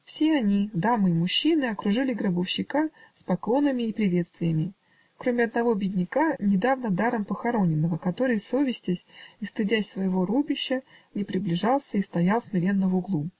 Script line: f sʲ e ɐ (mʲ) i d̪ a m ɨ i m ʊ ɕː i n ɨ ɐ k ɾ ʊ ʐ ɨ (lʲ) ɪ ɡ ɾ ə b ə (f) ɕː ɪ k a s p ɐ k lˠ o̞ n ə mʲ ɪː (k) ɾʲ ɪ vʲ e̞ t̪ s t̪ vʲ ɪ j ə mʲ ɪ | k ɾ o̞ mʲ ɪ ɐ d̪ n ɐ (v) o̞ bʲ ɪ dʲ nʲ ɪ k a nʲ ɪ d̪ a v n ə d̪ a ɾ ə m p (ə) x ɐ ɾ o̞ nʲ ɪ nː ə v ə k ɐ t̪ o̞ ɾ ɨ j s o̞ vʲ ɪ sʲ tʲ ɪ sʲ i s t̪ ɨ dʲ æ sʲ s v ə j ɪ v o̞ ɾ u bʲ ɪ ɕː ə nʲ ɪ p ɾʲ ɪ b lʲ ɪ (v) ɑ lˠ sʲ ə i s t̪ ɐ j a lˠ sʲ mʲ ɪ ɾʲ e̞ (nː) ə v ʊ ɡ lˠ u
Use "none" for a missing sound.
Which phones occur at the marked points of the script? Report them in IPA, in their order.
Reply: nʲ, lʲ, f, p, v, ə, ʐ, nː

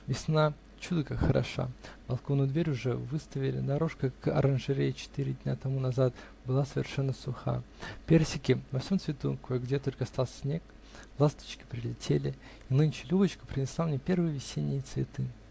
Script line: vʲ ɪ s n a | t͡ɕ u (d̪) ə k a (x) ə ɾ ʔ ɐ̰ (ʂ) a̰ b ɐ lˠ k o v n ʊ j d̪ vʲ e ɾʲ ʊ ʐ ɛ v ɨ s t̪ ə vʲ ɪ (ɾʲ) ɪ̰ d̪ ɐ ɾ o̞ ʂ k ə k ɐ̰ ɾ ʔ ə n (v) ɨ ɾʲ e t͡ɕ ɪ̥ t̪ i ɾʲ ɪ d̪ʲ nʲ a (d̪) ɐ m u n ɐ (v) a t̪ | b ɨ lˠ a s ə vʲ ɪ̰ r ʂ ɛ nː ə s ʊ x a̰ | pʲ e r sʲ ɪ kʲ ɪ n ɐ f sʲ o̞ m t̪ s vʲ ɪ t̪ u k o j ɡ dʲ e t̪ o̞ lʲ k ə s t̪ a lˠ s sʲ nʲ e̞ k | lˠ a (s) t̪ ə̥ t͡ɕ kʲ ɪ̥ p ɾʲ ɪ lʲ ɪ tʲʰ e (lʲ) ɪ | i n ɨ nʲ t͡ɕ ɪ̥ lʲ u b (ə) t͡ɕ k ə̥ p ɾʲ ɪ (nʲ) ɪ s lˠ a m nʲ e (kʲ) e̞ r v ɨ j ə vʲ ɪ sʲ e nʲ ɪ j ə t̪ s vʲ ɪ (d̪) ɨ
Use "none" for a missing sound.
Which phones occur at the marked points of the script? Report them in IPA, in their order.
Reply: d̪, x, ʂ, lʲ, ʐ, t̪, z, s, lʲ, ə, nʲ, pʲ, t̪

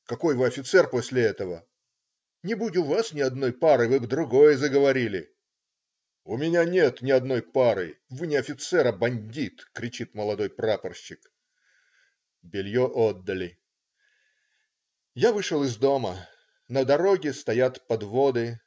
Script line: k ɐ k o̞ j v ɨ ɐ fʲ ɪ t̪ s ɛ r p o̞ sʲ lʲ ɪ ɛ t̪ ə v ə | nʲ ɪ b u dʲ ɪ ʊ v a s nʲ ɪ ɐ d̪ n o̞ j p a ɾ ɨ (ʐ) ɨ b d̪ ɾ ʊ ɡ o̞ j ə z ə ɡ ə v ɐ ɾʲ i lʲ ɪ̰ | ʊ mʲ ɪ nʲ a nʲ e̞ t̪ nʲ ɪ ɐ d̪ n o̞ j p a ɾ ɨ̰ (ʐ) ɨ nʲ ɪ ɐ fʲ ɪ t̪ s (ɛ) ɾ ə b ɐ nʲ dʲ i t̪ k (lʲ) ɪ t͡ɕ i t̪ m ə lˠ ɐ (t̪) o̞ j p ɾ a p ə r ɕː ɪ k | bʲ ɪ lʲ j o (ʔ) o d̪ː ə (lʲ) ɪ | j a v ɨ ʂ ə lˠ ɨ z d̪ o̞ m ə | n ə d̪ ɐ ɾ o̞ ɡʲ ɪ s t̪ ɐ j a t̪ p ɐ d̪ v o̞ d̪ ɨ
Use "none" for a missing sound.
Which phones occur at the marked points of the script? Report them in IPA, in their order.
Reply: v, v, ɛ, ɾʲ, d̪, ʔ, lʲ

